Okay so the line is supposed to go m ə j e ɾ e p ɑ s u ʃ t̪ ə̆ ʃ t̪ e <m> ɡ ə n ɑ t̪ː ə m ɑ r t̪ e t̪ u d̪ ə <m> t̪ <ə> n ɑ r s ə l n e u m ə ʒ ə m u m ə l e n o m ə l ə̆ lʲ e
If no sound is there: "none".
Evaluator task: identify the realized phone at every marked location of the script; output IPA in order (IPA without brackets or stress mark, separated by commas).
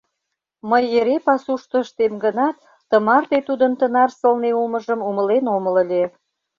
m, n, ə